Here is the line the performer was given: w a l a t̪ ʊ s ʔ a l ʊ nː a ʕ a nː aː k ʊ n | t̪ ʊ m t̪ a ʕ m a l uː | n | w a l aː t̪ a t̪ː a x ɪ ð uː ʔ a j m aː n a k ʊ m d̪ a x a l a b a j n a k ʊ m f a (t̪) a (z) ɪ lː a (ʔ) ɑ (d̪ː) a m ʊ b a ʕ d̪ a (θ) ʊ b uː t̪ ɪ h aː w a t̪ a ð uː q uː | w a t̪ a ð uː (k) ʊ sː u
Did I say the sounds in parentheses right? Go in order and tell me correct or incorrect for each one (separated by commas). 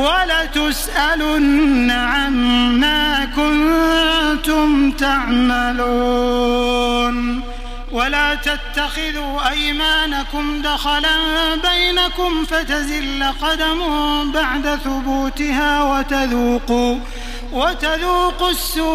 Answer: correct, correct, incorrect, incorrect, correct, incorrect